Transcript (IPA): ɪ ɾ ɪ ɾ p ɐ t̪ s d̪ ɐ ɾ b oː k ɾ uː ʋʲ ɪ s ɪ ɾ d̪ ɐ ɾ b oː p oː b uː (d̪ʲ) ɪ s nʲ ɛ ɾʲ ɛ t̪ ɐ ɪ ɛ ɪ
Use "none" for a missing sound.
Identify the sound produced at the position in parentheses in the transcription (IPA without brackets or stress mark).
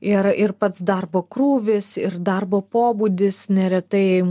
d̪ʲ